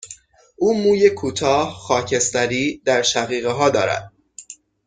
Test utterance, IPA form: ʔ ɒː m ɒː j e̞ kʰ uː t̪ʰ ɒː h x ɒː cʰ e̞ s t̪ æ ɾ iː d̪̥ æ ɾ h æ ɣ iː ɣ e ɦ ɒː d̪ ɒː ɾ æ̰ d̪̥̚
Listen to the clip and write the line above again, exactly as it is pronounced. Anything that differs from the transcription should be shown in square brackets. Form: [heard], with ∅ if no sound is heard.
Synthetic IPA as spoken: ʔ [uː] m [uː] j e̞ kʰ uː t̪ʰ ɒː h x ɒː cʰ e̞ s t̪ æ ɾ iː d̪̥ æ ɾ [ʃ] æ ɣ iː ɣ e ɦ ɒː d̪ ɒː ɾ æ̰ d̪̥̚